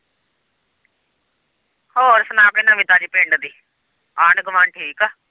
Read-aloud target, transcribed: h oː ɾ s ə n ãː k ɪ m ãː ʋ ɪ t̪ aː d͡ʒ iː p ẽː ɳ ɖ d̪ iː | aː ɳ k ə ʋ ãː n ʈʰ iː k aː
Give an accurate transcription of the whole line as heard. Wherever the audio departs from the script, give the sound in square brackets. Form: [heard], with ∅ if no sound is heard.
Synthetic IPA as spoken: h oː ɾ s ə n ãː k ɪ [n] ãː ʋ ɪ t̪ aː d͡ʒ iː p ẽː ɳ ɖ d̪ iː | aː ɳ [ɡ] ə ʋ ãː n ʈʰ iː k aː

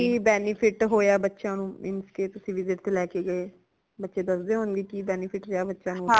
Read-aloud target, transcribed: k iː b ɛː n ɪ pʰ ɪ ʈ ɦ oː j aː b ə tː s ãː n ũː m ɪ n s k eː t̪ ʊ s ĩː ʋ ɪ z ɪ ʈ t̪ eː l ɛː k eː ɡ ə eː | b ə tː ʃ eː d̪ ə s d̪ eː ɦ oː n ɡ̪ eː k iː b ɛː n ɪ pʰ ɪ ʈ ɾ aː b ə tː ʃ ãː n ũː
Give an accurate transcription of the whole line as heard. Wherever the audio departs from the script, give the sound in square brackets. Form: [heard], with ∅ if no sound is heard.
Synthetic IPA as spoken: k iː b ɛː n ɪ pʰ ɪ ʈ ɦ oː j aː b ə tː [ʃ] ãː n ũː m ɪ n s k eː t̪ ʊ s ĩː ʋ ɪ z ɪ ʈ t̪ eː l ɛː k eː ɡ ə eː | b ə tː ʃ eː d̪ ə s d̪ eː ɦ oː n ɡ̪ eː k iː b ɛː n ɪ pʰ ɪ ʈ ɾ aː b ə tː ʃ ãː n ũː

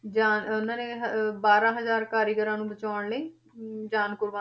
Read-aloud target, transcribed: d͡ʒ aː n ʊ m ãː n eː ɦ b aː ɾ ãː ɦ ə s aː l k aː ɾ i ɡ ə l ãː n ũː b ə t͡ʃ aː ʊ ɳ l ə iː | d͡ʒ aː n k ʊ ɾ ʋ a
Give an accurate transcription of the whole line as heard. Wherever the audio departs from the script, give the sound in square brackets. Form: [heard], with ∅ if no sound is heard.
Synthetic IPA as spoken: d͡ʒ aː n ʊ [n] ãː n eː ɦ b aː ɾ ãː ɦ ə [z] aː [ɾ] k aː ɾ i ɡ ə [ɾ] ãː n ũː b ə t͡ʃ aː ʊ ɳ l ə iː | d͡ʒ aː n k ʊ ɾ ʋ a

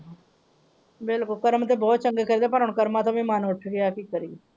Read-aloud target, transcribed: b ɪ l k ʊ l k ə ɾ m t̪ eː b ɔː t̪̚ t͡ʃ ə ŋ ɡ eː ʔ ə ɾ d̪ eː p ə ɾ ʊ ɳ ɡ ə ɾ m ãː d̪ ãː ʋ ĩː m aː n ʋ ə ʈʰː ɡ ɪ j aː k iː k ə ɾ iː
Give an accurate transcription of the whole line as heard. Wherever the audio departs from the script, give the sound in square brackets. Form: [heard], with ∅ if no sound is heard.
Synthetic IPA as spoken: b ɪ l k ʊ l k ə ɾ m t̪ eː b ɔː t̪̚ t͡ʃ ə ŋ ɡ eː [k] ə ɾ d̪ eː p ə ɾ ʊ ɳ [k] ə ɾ m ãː [t̪] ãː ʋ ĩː m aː n ʋ ə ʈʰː ɡ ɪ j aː k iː k ə ɾ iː

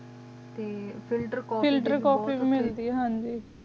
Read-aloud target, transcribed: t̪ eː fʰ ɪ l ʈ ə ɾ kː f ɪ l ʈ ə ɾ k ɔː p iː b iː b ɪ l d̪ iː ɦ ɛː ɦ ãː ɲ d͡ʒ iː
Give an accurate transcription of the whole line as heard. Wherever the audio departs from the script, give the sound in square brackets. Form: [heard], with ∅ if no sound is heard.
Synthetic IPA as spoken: t̪ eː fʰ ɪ l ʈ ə ɾ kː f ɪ l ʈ ə ɾ k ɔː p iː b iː [m] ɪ l d̪ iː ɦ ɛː ɦ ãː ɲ d͡ʒ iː

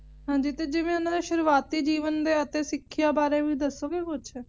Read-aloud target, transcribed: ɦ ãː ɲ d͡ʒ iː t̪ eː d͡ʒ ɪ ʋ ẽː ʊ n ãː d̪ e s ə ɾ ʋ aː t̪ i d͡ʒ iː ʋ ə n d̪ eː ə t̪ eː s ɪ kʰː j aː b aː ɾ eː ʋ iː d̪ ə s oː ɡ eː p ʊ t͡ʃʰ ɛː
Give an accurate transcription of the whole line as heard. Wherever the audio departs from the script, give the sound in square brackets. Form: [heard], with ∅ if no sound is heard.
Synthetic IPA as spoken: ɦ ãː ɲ d͡ʒ iː t̪ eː d͡ʒ ɪ ʋ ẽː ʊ n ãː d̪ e [ʃ] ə ɾ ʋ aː t̪ [iː] d͡ʒ iː ʋ ə n d̪ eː ə t̪ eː s ɪ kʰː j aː b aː ɾ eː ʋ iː d̪ ə s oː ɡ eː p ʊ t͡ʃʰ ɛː

